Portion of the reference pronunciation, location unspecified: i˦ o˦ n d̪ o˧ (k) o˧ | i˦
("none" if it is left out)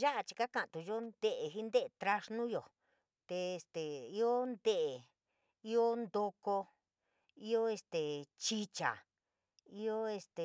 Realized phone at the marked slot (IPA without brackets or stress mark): k